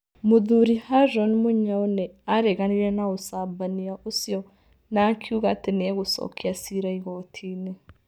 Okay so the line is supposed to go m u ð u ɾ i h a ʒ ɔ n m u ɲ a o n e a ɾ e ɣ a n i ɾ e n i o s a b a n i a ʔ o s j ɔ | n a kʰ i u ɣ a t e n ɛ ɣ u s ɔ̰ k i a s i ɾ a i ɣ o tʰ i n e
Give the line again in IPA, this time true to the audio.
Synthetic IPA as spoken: m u ð u ɾ i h a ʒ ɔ n m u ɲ a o n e a ɾ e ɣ a n i ɾ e n a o s a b a n i a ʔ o s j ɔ | n a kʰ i u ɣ a t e n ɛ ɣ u s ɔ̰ k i a s i ɾ a i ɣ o tʰ i n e